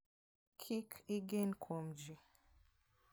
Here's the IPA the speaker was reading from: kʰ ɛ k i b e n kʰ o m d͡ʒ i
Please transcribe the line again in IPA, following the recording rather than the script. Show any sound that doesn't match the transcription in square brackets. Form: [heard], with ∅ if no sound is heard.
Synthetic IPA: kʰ [i] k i [ɡ] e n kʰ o m d͡ʒ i